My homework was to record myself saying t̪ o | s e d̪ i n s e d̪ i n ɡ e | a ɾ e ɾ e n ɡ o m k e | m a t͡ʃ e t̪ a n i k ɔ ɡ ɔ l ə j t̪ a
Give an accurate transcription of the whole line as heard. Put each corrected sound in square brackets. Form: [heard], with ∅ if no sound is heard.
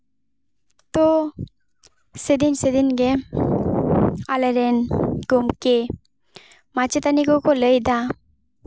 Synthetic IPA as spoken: t̪ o | s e d̪ i n s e d̪ i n ɡ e | a [l] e ɾ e n ɡ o m k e | m a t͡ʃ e t̪ a n i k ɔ [k] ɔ l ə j [d̪] a

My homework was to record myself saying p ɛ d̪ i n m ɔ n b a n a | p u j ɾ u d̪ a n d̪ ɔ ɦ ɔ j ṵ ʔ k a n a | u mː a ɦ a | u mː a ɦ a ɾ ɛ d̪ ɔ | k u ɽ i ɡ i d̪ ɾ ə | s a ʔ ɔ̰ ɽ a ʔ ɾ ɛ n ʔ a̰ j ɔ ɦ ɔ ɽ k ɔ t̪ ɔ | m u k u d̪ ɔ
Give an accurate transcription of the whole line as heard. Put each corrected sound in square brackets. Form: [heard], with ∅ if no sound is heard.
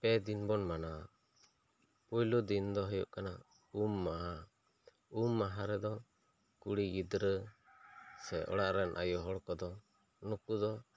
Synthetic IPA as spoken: p ɛ d̪ i n [b] ɔ n [m] a n a | p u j [l] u d̪ [i] n d̪ ɔ ɦ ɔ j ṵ ʔ k a n a | u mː a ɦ a | u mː a ɦ a ɾ ɛ d̪ ɔ | k u ɽ i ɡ i d̪ ɾ ə | s [ɛ] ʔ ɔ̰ ɽ a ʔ ɾ ɛ n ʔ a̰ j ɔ ɦ ɔ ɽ k ɔ [d̪] ɔ | [n] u k u d̪ ɔ

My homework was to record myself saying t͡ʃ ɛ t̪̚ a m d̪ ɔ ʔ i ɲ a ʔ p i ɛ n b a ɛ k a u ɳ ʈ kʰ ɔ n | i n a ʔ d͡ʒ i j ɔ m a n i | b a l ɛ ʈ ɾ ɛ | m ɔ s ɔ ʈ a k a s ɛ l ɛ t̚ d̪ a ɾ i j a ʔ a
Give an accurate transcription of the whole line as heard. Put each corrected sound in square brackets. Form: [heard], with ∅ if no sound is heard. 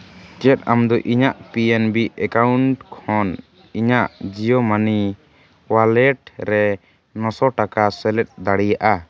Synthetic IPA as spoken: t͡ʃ ɛ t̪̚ a m d̪ ɔ ʔ i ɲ a ʔ p i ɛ n b [i] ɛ k a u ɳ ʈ kʰ ɔ n | i [ɲ] a ʔ d͡ʒ i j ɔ m a n i | [w] a l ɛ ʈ ɾ ɛ | [n] ɔ s ɔ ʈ a k a s ɛ l ɛ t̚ d̪ a [ɽ] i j a ʔ a

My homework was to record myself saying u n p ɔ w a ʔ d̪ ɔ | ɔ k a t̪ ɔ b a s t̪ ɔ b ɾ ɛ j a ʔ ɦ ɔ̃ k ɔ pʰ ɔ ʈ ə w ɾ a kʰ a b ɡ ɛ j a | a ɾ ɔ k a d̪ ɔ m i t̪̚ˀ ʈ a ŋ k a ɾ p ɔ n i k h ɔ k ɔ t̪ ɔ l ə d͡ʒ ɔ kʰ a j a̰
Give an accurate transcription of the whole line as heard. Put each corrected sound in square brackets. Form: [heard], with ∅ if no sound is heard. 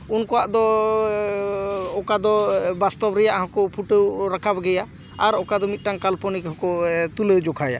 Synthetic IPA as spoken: u n [k] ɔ w a ʔ d̪ ɔ | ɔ k a [d̪] ɔ b a s t̪ ɔ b ɾ ɛ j a ʔ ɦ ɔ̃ k ɔ pʰ [u] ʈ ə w ɾ a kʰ a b ɡ ɛ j a | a ɾ ɔ k a d̪ ɔ m i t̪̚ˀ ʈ a ŋ k a [l] p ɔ n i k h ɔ k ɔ t̪ [u] l ə d͡ʒ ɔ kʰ a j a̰

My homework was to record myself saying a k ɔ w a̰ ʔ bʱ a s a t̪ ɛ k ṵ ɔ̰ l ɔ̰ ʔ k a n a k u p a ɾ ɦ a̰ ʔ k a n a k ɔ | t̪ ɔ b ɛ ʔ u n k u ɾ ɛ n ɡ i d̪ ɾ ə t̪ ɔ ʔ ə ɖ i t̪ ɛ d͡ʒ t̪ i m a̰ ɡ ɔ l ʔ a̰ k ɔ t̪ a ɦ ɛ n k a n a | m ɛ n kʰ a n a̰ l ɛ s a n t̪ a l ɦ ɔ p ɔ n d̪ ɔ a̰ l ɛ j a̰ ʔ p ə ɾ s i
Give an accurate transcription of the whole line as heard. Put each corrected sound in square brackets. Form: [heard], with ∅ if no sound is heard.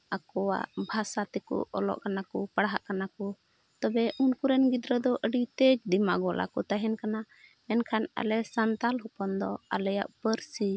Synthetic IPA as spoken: a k ɔ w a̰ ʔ bʱ a s a t̪ ɛ k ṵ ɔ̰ l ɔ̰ ʔ k a n a k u p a [ɽ] ɦ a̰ ʔ k a n a k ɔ | t̪ ɔ b ɛ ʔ u n k u ɾ ɛ n ɡ i d̪ ɾ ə [d̪] ɔ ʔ ə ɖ i t̪ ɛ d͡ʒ [d̪] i m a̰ ɡ ɔ l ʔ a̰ k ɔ t̪ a ɦ ɛ n k a n a | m ɛ n kʰ a n a̰ l ɛ s a n t̪ a l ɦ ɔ p ɔ n d̪ ɔ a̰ l ɛ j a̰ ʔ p ə ɾ s i

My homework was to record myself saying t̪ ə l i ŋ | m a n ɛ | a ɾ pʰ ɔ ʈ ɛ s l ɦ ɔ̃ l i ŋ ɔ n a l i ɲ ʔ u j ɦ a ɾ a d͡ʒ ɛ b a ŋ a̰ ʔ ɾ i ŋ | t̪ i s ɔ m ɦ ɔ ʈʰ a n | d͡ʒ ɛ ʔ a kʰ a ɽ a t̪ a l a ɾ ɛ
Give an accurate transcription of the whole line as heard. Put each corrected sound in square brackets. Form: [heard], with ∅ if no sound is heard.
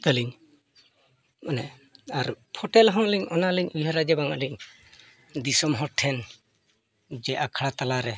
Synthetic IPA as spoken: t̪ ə l i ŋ | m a n ɛ | a ɾ pʰ ɔ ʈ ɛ [∅] l ɦ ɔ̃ l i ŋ ɔ n a l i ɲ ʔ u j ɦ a ɾ a d͡ʒ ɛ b a ŋ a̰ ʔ [l] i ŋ | [d̪] i s ɔ m ɦ ɔ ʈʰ [ɛ] n | d͡ʒ ɛ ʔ a kʰ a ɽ a t̪ a l a ɾ ɛ

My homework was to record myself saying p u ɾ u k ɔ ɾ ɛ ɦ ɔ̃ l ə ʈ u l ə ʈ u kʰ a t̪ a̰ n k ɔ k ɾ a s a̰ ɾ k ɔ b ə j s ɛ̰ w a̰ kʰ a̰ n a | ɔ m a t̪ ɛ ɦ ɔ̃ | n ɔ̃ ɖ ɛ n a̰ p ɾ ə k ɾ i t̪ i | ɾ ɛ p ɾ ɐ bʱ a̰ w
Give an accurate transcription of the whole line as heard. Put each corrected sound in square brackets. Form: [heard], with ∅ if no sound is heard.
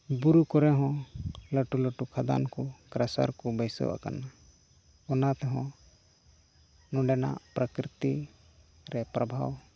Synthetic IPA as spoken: [b] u ɾ u k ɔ ɾ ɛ ɦ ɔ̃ l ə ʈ u l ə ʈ u kʰ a [d̪] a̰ n k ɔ k ɾ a s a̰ ɾ k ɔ b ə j s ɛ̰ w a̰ [k] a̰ n a | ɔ [n] a t̪ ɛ ɦ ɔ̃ | n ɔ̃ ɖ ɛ n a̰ p ɾ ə k ɾ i t̪ i | ɾ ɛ p ɾ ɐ bʱ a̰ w

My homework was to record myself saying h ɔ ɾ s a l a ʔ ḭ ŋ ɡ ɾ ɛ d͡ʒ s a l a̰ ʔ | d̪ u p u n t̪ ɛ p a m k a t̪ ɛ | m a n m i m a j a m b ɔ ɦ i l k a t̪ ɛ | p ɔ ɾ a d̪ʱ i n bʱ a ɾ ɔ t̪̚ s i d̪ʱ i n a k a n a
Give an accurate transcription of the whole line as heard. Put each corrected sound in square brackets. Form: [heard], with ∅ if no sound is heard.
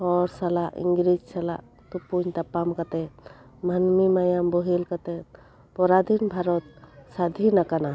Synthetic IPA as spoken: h ɔ ɾ s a l a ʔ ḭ ŋ ɡ ɾ [i] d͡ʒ s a l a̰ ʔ | [t̪] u p u [ɲ] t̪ [a] p a m k a t̪ ɛ | m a n m i m a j a m b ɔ ɦ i l k a t̪ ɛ | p ɔ ɾ a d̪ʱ i n bʱ a ɾ ɔ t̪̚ s [a] d̪ʱ i n a k a n a

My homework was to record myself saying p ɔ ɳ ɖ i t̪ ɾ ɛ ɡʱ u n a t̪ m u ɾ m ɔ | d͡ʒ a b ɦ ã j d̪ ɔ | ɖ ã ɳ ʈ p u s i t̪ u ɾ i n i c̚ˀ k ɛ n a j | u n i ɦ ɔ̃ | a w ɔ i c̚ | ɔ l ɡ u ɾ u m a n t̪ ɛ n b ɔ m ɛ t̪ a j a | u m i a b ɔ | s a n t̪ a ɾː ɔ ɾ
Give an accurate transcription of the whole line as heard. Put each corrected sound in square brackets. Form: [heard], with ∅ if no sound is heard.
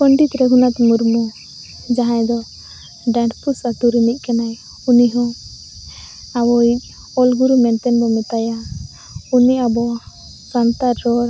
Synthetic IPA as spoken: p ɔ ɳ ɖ i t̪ ɾ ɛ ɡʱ u n a t̪ m u ɾ m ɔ | d͡ʒ a [∅] ɦ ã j d̪ ɔ | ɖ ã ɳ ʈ p u s [a] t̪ u ɾ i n i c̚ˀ k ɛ n a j | u n i ɦ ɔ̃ | a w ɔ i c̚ | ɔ l ɡ u ɾ u m [ɛ] n t̪ ɛ n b ɔ m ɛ t̪ a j a | u [n] i a b ɔ | s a n t̪ a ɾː ɔ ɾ

